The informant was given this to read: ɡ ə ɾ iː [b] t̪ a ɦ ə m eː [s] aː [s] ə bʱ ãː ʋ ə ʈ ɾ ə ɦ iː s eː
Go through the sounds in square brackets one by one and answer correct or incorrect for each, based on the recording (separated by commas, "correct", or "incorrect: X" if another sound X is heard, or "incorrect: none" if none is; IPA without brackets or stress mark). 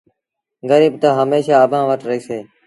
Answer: correct, incorrect: ʃ, incorrect: none